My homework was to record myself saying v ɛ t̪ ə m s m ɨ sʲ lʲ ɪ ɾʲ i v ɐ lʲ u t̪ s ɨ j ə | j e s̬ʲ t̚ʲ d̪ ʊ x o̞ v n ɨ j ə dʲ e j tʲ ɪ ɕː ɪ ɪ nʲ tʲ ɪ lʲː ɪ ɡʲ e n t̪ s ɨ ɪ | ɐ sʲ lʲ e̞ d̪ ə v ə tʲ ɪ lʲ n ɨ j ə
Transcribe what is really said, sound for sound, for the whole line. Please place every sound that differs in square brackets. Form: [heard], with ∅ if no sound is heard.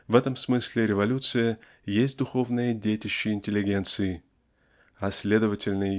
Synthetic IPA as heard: v ɛ t̪ ə m s m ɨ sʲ lʲ ɪ ɾʲ [ɪ] v ɐ lʲ u t̪ s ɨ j ə | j e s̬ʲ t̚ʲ d̪ ʊ x o̞ v n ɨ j ə dʲ e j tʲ ɪ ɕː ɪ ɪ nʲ tʲ ɪ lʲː ɪ ɡʲ e n t̪ s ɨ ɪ | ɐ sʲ lʲ e̞ d̪ ə v ə tʲ ɪ lʲ n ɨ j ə